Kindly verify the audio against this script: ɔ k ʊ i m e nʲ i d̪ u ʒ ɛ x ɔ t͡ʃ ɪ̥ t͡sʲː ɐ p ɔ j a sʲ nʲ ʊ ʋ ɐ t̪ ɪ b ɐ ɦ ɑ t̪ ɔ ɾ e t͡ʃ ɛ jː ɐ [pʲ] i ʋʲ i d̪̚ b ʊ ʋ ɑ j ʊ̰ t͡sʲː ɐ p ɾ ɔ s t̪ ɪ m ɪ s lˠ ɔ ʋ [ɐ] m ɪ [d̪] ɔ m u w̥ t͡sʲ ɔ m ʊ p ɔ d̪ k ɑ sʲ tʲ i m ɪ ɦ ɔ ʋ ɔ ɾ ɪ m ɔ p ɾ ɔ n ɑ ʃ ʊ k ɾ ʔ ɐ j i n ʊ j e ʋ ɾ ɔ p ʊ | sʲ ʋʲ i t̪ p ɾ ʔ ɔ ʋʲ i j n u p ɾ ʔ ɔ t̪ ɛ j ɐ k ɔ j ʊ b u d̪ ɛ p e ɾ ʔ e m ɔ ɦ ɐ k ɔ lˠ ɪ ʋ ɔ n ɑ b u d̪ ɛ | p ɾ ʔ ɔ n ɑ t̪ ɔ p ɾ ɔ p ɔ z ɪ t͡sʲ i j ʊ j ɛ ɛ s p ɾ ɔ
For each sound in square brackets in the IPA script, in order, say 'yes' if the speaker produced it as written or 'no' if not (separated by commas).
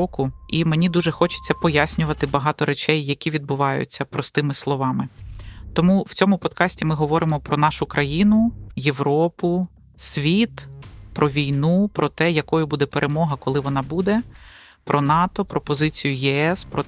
no, no, no